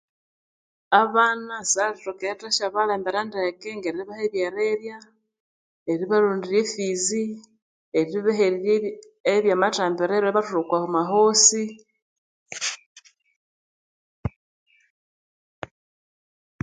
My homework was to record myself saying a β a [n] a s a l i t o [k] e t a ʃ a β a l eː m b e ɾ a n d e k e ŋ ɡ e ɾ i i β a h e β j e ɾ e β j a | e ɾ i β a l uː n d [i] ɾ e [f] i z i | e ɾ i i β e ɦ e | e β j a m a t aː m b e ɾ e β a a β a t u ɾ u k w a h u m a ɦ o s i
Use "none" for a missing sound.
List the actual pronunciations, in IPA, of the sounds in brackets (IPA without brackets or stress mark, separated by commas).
n, k, i, f